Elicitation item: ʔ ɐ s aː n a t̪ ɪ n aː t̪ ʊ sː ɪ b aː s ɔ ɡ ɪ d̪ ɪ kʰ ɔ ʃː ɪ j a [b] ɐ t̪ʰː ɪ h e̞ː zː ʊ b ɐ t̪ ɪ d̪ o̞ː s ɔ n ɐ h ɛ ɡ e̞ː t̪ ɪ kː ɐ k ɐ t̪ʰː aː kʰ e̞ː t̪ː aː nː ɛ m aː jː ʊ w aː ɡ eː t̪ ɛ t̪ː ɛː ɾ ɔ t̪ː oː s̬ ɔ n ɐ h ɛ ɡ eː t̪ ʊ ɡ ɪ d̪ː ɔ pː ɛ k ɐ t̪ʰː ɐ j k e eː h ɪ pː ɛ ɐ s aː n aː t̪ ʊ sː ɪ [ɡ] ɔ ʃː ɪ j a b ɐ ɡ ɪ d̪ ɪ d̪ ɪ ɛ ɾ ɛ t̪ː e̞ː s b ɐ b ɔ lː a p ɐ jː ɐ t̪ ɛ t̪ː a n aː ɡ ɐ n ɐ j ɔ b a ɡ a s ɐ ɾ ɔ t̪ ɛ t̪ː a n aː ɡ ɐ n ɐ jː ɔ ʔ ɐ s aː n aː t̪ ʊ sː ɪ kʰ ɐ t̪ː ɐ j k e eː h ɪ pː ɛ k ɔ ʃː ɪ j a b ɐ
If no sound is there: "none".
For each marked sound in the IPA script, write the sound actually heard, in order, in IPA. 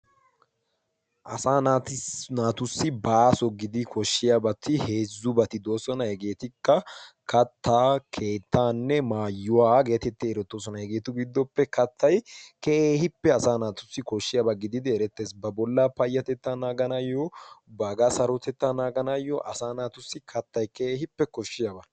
b, k

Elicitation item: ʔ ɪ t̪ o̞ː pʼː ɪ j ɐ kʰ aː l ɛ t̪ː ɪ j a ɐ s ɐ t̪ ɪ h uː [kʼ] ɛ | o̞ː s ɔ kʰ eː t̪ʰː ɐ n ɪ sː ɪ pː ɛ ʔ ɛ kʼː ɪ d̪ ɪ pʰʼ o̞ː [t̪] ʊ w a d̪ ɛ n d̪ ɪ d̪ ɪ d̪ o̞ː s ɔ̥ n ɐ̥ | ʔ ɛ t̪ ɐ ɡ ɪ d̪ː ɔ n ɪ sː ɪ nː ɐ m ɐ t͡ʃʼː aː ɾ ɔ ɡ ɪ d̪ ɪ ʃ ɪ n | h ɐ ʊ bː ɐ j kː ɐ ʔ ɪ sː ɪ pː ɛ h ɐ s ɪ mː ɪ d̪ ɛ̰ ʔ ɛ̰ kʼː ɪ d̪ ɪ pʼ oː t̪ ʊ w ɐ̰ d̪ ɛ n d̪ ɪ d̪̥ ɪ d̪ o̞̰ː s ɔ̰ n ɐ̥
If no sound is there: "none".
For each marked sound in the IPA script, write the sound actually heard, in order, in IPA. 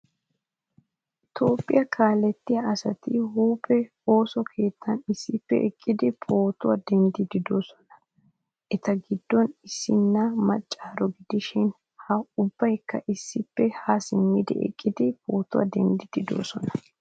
pʼ, t̪

